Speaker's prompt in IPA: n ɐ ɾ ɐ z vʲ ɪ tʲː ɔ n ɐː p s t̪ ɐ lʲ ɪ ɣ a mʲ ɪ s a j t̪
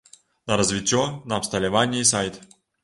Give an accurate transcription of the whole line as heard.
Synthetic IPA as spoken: n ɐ ɾ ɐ z vʲ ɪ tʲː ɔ n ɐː p s t̪ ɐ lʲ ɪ v a nʲ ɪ s a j t̪